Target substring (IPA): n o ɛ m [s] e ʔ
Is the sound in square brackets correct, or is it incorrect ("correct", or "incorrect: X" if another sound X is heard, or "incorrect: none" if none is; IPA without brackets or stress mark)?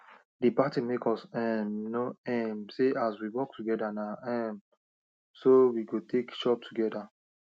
correct